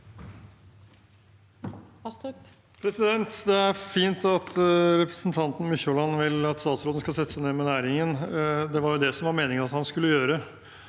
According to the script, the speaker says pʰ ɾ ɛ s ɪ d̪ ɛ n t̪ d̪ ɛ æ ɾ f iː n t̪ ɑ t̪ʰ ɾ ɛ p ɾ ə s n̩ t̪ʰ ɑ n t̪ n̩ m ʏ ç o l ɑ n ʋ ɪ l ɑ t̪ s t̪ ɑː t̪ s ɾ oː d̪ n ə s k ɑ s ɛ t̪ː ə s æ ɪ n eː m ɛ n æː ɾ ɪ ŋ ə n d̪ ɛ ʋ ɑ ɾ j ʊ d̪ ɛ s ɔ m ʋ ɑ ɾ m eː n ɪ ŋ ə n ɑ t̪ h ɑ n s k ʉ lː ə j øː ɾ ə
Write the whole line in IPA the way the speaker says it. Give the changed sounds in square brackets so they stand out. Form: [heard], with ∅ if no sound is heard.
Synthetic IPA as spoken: pʰ ɾ ɛ s ɪ d̪ ɛ n t̪ d̪ ɛ æ ɾ f iː n t̪ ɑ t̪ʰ ɾ ɛ p ɾ ə s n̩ t̪ʰ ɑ n t̪ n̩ m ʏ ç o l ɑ n ʋ ɪ l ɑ t̪ s t̪ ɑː t̪ s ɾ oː d̪ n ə s k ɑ s ɛ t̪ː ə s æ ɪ n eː m ɛ n æː ɾ ɪ ŋ ə n d̪ ɛ ʋ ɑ ɾ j ʊ d̪ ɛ s ɔ m ʋ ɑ ɾ m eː n ɪ ŋ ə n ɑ t̪ h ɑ n s k ʉ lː ə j øː ɾ ə

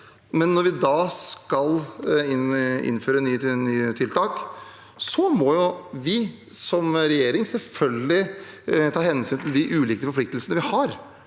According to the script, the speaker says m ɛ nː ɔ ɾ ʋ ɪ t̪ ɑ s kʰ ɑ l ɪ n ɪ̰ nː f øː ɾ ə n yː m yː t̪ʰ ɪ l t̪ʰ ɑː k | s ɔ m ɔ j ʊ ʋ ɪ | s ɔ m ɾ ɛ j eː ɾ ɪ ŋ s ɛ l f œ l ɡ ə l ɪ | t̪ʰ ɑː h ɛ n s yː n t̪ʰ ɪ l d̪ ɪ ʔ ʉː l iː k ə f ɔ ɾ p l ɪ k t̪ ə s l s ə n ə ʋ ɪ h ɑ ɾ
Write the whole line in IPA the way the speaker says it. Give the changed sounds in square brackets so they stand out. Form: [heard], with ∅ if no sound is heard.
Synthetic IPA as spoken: m ɛ nː ɔ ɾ ʋ ɪ [d̪] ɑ s [k] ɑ l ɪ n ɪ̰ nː f øː ɾ ə n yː [n] yː t̪ʰ ɪ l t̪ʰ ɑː k | s ɔ m ɔ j ʊ ʋ ɪ | s ɔ m ɾ ɛ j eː ɾ ɪ ŋ s ɛ l f œ l ɡ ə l ɪ | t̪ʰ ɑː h ɛ n s yː n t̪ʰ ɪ l d̪ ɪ ʔ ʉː l iː k ə f ɔ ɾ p l ɪ k t̪ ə [∅] l s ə n ə ʋ ɪ h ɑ ɾ

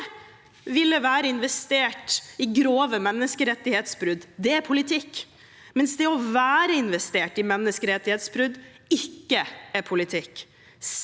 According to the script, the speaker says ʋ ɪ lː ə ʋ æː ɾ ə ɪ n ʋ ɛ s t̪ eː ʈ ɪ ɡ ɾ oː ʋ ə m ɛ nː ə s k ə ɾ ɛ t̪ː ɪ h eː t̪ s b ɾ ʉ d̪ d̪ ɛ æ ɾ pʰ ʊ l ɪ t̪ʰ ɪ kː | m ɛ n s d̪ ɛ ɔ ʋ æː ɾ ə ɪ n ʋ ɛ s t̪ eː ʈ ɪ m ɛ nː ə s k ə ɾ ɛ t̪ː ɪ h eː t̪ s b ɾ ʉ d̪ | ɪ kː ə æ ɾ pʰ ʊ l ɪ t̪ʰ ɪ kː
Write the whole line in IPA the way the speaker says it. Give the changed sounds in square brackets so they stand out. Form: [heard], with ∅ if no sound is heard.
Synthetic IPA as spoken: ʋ ɪ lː ə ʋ æː ɾ ə ɪ n ʋ ɛ s t̪ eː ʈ ɪ ɡ ɾ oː ʋ ə m ɛ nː ə s k ə ɾ ɛ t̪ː ɪ h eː t̪ s b ɾ ʉ d̪ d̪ ɛ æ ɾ pʰ ʊ l ɪ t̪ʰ ɪ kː | m ɛ n s d̪ ɛ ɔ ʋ æː ɾ ə ɪ n ʋ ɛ s t̪ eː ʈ ɪ m ɛ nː ə s k ə ɾ ɛ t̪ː ɪ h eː t̪ s b ɾ ʉ d̪ | ɪ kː ə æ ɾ pʰ ʊ l ɪ t̪ʰ ɪ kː

